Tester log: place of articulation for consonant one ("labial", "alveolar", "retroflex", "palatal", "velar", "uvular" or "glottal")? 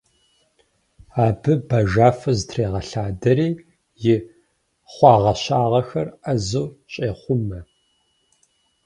labial